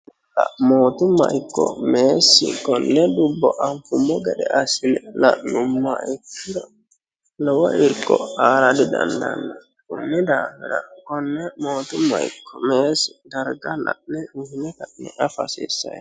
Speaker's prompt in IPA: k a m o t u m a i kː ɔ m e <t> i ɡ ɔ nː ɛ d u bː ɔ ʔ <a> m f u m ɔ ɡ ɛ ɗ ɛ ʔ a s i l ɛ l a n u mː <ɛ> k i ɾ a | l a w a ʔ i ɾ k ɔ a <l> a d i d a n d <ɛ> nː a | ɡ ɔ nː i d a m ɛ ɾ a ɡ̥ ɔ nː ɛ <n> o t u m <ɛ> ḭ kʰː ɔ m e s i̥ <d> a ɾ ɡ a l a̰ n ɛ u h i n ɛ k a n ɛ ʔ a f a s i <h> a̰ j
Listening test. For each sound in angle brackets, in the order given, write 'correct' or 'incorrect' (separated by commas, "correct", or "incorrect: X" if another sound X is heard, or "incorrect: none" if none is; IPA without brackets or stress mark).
incorrect: s, correct, incorrect: a, incorrect: ɾ, incorrect: a, incorrect: m, incorrect: a, correct, incorrect: s